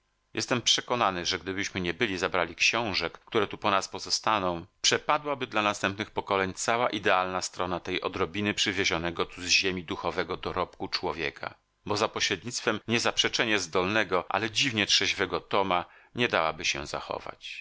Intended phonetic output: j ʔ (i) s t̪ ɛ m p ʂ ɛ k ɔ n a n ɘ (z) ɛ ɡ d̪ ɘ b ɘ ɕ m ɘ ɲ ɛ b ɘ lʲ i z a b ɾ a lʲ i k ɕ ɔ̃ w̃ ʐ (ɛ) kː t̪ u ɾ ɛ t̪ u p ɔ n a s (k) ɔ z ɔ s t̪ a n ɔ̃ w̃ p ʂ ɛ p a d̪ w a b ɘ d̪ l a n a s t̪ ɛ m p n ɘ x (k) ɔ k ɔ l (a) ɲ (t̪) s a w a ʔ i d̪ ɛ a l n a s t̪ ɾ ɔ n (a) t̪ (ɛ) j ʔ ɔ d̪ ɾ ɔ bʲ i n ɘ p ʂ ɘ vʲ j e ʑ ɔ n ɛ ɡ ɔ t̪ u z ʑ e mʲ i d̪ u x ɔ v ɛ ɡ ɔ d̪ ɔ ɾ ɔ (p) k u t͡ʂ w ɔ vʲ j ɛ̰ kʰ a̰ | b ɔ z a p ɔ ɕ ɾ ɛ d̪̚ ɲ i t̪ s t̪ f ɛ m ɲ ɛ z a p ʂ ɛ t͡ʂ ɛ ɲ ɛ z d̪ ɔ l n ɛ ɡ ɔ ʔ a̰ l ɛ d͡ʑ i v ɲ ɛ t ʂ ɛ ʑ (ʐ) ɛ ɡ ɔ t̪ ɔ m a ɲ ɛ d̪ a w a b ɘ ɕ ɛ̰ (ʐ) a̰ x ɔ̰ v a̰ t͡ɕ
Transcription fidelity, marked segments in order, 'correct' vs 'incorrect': incorrect, incorrect, correct, incorrect, incorrect, incorrect, correct, correct, correct, correct, incorrect, incorrect

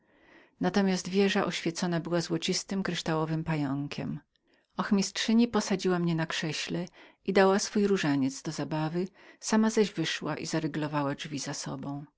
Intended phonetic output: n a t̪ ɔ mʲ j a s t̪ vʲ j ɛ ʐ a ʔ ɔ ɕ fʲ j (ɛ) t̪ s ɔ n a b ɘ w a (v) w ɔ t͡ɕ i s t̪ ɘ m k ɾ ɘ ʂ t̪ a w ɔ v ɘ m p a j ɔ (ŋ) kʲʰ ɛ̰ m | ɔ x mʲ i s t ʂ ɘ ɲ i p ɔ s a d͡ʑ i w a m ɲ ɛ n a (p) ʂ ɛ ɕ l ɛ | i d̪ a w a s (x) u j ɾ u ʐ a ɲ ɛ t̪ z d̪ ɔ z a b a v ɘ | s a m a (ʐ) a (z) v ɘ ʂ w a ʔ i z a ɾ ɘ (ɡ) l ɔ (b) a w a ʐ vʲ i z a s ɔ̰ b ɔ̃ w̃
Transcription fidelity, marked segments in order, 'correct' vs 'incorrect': correct, incorrect, correct, incorrect, incorrect, incorrect, incorrect, correct, incorrect

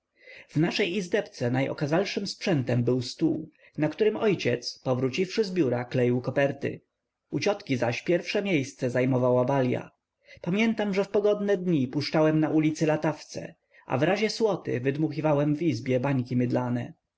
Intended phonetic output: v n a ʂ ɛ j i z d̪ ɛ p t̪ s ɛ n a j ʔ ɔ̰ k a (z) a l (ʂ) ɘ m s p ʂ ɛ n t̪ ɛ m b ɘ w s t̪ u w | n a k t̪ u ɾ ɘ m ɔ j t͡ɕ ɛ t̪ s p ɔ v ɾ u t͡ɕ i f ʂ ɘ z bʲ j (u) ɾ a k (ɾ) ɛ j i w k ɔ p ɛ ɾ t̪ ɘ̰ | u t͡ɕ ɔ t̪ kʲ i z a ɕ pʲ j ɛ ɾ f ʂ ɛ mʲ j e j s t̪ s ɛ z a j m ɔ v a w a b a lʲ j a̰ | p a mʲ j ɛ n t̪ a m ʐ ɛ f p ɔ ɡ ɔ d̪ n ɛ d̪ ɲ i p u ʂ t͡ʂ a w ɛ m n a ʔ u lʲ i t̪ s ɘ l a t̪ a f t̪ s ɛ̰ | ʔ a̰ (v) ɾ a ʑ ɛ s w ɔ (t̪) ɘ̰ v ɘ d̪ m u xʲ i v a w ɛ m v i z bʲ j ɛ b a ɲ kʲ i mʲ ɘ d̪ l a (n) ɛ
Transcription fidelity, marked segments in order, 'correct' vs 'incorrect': correct, correct, correct, incorrect, correct, correct, correct

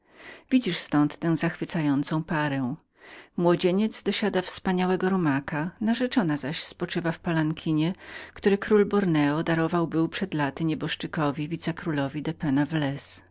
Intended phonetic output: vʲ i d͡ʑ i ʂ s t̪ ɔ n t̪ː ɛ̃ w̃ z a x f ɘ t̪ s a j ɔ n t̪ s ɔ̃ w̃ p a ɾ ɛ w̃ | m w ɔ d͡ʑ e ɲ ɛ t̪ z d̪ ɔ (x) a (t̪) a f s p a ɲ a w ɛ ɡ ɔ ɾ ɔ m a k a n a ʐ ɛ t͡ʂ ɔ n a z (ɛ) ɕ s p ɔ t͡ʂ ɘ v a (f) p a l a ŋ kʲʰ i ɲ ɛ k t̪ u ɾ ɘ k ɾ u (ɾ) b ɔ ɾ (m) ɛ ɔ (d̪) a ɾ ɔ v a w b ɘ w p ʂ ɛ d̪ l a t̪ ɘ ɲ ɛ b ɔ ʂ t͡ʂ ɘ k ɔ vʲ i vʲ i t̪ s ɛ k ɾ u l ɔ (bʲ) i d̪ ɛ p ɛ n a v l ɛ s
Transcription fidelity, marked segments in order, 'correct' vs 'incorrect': incorrect, incorrect, incorrect, correct, incorrect, incorrect, correct, incorrect

